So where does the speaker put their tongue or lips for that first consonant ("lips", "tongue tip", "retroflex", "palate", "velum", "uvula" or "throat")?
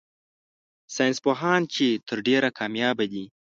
tongue tip